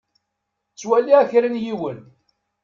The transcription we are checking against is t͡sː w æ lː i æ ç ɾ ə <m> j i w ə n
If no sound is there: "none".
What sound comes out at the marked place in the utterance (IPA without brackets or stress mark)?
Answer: n